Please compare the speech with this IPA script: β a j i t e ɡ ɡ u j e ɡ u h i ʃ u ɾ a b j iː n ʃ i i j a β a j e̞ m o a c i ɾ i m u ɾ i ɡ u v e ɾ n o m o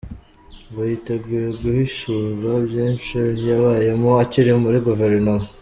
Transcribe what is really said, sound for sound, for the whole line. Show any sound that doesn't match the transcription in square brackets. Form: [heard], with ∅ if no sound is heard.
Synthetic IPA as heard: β a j i t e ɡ ɡ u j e ɡ u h i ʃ u ɾ a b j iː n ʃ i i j a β a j e̞ m o a c i ɾ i m u ɾ i ɡ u v e ɾ n o m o